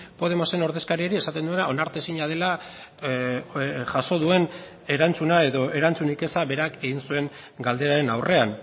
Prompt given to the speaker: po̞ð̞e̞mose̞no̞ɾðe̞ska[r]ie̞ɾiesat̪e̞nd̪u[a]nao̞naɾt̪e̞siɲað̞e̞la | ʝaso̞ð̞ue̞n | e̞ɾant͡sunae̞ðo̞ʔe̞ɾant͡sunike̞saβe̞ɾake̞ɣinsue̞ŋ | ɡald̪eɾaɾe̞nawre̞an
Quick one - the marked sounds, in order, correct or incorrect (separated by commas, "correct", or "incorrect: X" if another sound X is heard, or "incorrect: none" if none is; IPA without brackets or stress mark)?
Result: incorrect: ɾ, incorrect: e